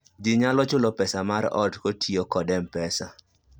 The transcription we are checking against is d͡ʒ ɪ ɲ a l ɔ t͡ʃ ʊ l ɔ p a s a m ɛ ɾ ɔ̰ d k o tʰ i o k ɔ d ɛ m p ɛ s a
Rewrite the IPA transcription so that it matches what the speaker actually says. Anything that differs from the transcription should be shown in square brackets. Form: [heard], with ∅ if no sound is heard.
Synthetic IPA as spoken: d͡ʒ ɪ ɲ a l ɔ t͡ʃ ʊ l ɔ p [ɛ] s a m [a] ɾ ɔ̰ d k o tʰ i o k ɔ d ɛ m p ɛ s a

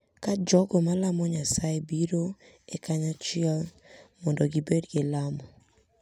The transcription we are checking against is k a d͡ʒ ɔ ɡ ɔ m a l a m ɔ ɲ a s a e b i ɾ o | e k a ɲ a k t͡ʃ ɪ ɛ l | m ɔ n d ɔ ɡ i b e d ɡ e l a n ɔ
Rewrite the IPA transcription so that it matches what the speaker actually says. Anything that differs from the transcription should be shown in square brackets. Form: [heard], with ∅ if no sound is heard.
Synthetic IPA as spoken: k a d͡ʒ ɔ ɡ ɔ m a l a m ɔ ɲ a s a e b i ɾ o | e k a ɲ a [∅] t͡ʃ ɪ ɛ l | m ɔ n d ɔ ɡ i b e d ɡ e l a [m] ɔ

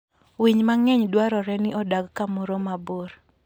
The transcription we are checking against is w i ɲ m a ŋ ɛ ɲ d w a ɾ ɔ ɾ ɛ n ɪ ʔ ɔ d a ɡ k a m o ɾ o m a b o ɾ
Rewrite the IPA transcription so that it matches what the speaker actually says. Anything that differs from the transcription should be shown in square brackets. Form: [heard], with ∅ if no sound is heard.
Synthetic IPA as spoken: w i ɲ m a ŋ ɛ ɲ d w a ɾ ɔ ɾ ɛ n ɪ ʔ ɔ d a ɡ k a m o ɾ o m a b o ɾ

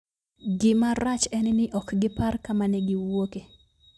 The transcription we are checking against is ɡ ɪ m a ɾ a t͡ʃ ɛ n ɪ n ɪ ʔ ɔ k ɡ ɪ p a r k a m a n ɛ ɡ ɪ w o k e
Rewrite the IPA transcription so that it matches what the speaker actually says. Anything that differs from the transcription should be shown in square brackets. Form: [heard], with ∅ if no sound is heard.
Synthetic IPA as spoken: ɡ ɪ m a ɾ a t͡ʃ ɛ n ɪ n ɪ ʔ ɔ k ɡ ɪ p a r k a m a n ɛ ɡ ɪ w o k e

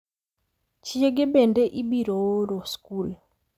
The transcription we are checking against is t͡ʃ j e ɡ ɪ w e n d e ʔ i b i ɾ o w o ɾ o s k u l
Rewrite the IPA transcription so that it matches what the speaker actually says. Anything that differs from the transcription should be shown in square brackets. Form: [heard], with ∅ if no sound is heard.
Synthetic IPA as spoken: t͡ʃ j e ɡ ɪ [b] e n d e ʔ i b i ɾ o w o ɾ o s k u l

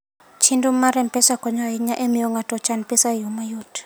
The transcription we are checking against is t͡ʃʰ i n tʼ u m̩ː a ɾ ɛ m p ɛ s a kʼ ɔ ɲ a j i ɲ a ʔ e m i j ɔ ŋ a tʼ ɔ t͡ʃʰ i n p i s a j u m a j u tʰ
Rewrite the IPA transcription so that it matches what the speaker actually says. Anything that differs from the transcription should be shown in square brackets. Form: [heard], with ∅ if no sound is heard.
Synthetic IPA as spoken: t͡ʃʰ i n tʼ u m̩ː a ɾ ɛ m p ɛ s a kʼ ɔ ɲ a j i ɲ a ʔ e m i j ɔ ŋ a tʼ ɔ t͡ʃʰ [a] n p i s a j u m a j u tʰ

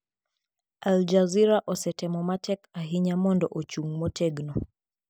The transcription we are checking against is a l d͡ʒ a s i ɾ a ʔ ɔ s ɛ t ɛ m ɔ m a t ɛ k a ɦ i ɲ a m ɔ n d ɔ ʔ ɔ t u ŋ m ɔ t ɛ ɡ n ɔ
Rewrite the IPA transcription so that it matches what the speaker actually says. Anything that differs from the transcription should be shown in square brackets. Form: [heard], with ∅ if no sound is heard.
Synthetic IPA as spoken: a l d͡ʒ a [z] i ɾ a ʔ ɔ s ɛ t ɛ m ɔ m a t ɛ k a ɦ i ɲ a m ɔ n d ɔ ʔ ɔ [t͡ʃ] u ŋ m ɔ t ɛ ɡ n ɔ

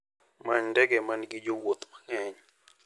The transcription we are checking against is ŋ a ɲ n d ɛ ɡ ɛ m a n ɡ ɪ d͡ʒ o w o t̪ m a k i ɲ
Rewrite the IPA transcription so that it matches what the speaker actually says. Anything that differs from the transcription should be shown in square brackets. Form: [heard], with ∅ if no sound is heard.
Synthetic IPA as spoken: [m] a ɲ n d ɛ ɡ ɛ m a n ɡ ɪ d͡ʒ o w o t̪ m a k [ɛ] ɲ

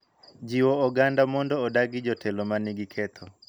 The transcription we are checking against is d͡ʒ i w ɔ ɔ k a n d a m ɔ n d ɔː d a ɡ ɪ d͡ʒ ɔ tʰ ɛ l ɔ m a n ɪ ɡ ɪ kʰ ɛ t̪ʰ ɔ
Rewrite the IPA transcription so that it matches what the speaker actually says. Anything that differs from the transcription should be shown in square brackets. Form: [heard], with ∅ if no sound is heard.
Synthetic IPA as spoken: d͡ʒ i w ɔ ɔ [ɡ] a n d a m ɔ n d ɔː d a ɡ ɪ d͡ʒ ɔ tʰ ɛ l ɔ m a n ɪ ɡ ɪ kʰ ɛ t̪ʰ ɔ

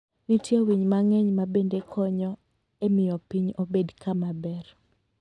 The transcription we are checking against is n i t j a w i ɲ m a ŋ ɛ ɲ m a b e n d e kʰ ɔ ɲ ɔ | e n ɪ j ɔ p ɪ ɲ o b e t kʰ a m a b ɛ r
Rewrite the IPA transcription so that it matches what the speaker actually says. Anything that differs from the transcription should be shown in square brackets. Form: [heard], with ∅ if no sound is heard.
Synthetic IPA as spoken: n i t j [e] w i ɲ m a ŋ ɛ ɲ m a b e n d e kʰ ɔ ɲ ɔ | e [m] ɪ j ɔ p [i] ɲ o b e [d] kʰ a m a b ɛ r

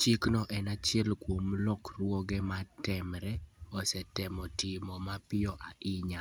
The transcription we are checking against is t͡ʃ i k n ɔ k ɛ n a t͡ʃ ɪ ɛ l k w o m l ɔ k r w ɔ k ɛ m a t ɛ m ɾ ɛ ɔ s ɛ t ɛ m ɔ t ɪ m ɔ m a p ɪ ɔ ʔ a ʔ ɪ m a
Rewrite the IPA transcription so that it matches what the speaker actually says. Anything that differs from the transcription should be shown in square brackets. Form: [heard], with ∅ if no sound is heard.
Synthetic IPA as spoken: t͡ʃ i k n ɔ [ʔ] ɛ n a t͡ʃ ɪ ɛ l k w o m l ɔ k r w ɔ [ɡ] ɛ m a t ɛ m ɾ ɛ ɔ s ɛ t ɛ m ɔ t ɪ m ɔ m a p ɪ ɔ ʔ a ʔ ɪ [ɲ] a

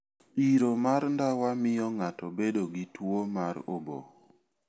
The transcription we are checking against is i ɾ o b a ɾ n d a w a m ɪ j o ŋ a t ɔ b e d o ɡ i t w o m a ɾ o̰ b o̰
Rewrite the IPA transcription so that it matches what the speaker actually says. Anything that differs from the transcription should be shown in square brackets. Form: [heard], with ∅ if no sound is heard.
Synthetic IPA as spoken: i ɾ o [m] a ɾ n d a w a m ɪ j [ɔ] ŋ a t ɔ b e d o ɡ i t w o m a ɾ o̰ b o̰

